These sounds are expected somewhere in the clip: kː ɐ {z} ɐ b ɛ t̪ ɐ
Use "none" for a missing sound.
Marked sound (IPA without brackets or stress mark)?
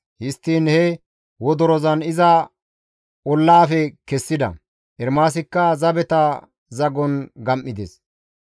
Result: z